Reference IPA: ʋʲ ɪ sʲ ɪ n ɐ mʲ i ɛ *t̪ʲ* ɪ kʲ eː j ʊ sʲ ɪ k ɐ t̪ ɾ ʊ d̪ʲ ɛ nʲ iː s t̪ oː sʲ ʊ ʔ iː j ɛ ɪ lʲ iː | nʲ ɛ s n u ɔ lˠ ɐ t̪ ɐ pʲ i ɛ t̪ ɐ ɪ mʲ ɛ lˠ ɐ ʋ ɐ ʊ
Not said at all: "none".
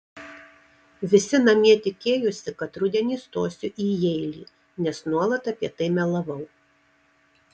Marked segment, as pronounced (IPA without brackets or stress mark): t̪ʲ